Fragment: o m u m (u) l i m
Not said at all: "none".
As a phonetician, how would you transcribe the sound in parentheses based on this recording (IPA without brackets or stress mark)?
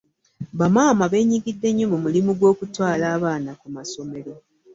u